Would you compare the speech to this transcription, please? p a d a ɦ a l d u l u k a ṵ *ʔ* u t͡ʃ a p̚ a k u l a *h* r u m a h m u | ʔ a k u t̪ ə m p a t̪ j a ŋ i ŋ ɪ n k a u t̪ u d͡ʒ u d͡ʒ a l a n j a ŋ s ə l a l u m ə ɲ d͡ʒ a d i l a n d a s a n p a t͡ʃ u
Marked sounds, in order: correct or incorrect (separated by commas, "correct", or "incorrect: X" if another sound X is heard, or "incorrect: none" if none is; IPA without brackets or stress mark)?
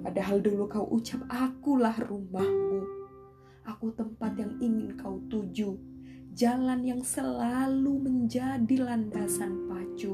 correct, correct